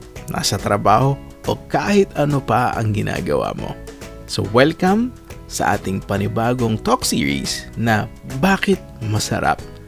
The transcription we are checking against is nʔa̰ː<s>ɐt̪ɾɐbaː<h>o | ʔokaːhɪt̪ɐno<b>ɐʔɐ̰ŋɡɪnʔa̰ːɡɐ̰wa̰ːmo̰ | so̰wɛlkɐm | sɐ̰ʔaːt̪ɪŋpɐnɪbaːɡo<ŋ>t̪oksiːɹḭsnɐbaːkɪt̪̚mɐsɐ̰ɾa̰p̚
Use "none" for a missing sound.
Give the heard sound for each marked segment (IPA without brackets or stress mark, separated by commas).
s, h, p, ŋ